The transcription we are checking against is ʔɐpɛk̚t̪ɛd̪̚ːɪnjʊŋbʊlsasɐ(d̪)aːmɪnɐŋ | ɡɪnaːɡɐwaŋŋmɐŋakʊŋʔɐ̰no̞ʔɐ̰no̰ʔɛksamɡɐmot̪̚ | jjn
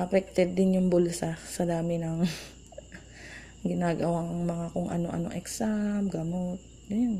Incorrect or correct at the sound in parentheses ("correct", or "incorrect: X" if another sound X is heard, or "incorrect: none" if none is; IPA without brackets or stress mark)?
correct